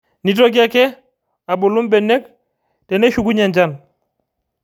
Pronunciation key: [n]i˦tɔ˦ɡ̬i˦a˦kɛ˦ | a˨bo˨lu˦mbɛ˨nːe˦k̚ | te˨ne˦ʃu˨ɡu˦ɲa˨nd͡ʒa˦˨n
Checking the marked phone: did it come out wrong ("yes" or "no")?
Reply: no